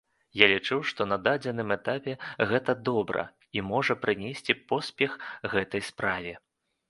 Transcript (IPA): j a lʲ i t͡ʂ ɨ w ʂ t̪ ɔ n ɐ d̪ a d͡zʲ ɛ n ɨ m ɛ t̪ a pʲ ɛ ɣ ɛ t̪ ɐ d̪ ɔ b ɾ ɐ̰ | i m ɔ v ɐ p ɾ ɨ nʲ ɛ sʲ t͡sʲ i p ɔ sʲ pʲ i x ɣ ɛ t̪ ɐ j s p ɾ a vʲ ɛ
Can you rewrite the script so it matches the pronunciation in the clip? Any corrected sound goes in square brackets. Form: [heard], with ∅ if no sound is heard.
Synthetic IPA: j a lʲ i t͡ʂ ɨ w ʂ t̪ ɔ n ɐ d̪ a d͡zʲ ɛ n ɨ m ɛ t̪ a pʲ ɛ ɣ ɛ t̪ ɐ d̪ ɔ b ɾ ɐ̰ | i m ɔ [ʐ] ɐ p ɾ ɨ nʲ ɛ sʲ t͡sʲ i p ɔ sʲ pʲ [ɛ] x ɣ ɛ t̪ ɐ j s p ɾ a vʲ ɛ